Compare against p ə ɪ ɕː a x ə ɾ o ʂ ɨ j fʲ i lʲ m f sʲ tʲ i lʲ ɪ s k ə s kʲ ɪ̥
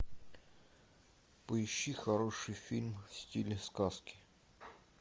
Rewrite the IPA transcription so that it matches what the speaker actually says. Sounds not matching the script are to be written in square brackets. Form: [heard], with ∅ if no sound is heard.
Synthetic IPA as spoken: p ə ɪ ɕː [i] x [ɐ] ɾ o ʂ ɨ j fʲ i lʲ m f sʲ tʲ i lʲ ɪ s k [a] s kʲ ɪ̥